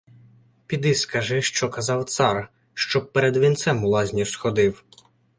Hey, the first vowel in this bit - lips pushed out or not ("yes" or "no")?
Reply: no